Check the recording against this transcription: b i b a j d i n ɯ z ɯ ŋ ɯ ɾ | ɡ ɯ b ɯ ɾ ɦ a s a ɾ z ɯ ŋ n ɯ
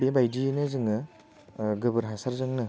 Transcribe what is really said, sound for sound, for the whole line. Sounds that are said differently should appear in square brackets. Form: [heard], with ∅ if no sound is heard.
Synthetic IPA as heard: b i b a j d i n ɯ z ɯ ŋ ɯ [∅] | ɡ ɯ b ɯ ɾ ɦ a s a ɾ z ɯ ŋ n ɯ